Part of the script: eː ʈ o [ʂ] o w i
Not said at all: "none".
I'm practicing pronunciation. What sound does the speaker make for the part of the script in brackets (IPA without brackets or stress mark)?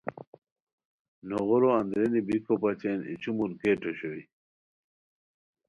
ɕ